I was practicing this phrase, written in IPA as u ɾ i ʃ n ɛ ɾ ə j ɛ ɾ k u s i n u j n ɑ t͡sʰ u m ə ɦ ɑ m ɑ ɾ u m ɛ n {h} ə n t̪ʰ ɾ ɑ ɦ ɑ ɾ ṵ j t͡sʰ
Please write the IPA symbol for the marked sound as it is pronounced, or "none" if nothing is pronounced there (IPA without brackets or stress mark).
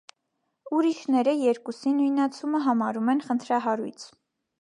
χ